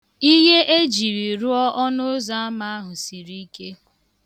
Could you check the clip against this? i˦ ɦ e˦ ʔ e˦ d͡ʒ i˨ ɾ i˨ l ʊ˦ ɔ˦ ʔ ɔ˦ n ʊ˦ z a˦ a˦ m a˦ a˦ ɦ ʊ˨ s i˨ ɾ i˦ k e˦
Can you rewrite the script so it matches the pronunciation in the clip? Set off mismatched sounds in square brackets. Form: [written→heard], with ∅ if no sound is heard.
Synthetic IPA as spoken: i˦ ɦ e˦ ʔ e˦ d͡ʒ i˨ ɾ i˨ [l→ɾ] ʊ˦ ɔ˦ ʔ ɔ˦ n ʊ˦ z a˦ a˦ m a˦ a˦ ɦ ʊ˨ s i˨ ɾ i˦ k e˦

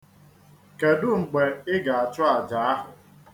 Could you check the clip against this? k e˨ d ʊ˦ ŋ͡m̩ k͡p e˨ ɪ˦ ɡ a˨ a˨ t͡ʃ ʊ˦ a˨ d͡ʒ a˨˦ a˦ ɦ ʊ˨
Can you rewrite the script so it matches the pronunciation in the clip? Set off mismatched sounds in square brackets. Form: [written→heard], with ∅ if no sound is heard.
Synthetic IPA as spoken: k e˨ d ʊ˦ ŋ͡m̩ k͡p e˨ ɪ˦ ɡ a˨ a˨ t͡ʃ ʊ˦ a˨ d͡ʒ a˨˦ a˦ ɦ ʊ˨

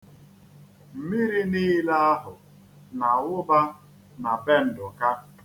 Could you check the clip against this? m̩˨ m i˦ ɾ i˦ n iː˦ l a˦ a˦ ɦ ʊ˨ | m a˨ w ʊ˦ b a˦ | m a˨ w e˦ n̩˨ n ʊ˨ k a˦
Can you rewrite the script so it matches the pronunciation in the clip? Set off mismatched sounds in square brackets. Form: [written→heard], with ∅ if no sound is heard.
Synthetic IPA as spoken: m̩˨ m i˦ ɾ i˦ n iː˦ l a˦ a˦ ɦ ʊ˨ | [m→n] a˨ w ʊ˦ b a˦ | [m→n] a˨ [w→b] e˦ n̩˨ [n→d] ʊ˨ k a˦

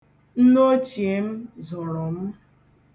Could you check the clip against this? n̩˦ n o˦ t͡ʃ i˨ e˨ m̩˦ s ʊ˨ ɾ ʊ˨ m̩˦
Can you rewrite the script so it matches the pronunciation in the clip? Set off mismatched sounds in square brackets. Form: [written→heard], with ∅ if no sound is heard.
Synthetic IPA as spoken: n̩˦ n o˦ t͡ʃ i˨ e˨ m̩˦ [s→z] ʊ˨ ɾ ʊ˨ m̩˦

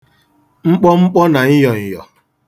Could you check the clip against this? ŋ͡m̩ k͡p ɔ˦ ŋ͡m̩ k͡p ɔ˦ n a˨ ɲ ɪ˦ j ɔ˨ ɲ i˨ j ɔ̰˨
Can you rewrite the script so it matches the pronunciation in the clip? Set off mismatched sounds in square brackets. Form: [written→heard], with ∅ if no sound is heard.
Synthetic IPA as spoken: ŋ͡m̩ k͡p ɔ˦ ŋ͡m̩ k͡p ɔ˦ n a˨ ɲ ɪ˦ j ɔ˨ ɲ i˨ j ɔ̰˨

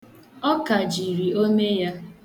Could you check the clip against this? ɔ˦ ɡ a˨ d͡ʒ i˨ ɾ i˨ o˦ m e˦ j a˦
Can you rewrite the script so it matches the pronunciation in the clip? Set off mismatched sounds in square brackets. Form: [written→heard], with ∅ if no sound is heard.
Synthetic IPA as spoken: ɔ˦ [ɡ→k] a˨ d͡ʒ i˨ ɾ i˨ o˦ m e˦ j a˦

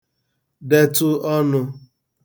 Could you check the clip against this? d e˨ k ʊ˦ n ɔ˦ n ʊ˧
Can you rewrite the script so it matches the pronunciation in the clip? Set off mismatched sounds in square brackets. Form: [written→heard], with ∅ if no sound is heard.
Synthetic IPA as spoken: d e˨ [k→t] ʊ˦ [n→∅] ɔ˦ n ʊ˧

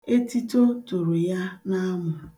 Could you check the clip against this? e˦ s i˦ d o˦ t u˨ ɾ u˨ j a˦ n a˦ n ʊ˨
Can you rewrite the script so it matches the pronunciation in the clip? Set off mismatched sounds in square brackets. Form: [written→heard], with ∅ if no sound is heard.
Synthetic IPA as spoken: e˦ [s→t] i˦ [d→t] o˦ t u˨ ɾ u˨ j a˦ n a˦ [n→m] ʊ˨

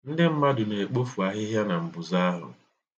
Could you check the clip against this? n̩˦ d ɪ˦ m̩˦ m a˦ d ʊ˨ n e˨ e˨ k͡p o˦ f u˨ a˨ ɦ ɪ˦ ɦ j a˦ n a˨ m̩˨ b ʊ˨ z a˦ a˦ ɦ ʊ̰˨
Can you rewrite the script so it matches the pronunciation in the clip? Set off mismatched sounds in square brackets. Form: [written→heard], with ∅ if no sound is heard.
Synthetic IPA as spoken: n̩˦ d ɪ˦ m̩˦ m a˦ d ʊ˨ n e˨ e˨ k͡p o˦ f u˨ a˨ ɦ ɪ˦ ɦ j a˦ n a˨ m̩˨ b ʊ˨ z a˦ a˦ ɦ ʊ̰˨

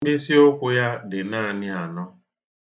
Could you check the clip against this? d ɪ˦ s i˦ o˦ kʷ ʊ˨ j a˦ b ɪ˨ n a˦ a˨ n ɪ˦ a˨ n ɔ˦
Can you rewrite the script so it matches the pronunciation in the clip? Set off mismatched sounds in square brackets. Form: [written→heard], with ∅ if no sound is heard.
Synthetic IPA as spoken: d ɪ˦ s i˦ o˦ kʷ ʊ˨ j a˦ [b→d] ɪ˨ n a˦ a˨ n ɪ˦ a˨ n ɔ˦

